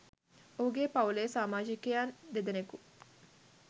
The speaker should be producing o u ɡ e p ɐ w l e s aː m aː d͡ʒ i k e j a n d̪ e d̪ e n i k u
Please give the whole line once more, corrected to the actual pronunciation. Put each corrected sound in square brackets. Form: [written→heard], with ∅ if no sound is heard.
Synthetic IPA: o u ɡ e p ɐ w l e s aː m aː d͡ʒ i k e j a n d̪ e d̪ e n [i→e] k u